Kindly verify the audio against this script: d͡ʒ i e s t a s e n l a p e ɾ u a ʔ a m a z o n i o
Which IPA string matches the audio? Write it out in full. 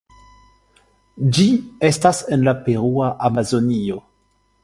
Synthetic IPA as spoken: d͡ʒ i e s t a s e n l a p e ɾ u a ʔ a m a z o n i o